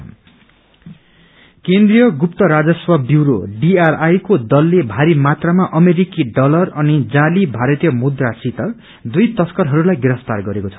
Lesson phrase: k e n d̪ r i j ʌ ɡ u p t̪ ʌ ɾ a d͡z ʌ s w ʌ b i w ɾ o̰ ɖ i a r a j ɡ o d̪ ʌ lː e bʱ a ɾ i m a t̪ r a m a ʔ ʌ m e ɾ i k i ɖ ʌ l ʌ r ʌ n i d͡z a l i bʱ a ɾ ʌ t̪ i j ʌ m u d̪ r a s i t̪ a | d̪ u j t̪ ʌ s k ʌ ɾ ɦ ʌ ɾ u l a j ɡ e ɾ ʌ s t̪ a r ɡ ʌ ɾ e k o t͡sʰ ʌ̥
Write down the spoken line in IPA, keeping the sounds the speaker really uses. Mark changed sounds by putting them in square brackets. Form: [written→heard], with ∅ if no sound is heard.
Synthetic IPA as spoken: k e n d̪ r i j ʌ ɡ u p t̪ ʌ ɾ a d͡z ʌ s w ʌ b i w ɾ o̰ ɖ i a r a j [ɡ→k] o d̪ ʌ lː e bʱ a ɾ i m a t̪ r a m a ʔ ʌ m e ɾ i k i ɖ ʌ l ʌ r ʌ n i d͡z a l i bʱ a ɾ ʌ t̪ i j ʌ m u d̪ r a s i t̪ [a→ʌ] | d̪ u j t̪ ʌ s k ʌ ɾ ɦ ʌ ɾ u l a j ɡ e ɾ ʌ s t̪ a r ɡ ʌ ɾ e k o t͡sʰ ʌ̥